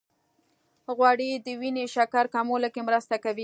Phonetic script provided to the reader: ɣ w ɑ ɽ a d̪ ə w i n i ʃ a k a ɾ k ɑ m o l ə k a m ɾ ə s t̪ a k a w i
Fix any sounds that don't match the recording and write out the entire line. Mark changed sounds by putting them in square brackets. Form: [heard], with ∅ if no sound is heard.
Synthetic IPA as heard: ɣ w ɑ ɽ [i] d̪ ə w i n [e] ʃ a k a ɾ k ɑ m o l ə k [e] m ɾ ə s t̪ a k a w i